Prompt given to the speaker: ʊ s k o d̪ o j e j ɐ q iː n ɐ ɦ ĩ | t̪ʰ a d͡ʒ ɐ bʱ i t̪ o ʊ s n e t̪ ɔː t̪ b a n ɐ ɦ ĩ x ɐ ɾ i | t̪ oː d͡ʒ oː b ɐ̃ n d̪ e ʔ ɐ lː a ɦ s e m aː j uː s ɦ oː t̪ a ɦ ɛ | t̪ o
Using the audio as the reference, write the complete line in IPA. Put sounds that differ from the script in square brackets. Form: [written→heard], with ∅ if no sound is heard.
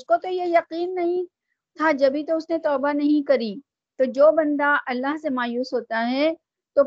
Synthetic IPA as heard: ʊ s k o [d̪→t̪] o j e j ɐ q iː [n→nː] ɐ ɦ ĩ | t̪ʰ a d͡ʒ ɐ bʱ i t̪ o ʊ s n e t̪ ɔː [t̪→∅] b a n ɐ ɦ ĩ [x→k] ɐ ɾ i | t̪ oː d͡ʒ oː b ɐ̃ n d̪ [e→a] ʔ ɐ lː a ɦ s e m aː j uː s ɦ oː t̪ a ɦ ɛ | t̪ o